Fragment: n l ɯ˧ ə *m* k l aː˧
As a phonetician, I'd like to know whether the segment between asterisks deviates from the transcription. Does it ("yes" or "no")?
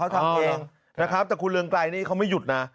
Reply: yes